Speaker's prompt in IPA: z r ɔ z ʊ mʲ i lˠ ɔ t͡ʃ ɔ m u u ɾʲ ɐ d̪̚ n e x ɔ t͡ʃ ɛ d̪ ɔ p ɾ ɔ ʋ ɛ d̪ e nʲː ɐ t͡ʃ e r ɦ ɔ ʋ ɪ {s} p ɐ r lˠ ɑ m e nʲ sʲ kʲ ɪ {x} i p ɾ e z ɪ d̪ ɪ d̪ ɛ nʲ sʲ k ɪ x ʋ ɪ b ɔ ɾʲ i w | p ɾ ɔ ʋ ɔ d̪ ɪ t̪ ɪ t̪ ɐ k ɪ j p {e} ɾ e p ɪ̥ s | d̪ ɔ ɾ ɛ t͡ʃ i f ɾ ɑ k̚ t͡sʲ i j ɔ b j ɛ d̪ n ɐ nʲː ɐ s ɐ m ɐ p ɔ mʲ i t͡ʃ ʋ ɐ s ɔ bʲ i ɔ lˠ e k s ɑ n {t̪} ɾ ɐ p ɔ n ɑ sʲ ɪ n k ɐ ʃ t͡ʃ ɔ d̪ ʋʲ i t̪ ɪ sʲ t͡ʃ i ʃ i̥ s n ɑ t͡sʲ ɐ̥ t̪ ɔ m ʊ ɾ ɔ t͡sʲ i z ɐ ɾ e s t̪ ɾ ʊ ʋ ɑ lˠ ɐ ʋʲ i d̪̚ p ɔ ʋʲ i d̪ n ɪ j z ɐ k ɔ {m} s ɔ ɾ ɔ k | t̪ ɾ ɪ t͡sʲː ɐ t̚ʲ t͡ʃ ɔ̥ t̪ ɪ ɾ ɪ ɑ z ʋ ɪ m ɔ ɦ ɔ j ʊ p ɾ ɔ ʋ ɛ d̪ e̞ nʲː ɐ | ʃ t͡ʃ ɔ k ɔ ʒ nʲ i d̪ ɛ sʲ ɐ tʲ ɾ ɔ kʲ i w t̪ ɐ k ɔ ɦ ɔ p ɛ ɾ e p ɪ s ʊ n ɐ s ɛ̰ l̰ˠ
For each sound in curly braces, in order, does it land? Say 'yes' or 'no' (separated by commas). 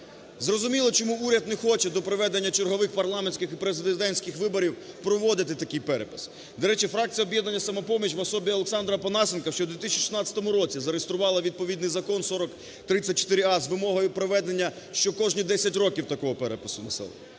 no, yes, no, no, no